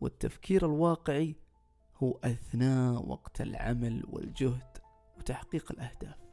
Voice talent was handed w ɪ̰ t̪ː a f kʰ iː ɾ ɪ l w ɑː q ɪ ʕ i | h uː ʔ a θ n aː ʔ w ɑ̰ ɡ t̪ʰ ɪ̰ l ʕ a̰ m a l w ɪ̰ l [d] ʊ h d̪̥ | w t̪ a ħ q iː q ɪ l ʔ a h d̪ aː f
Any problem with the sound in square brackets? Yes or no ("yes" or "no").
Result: yes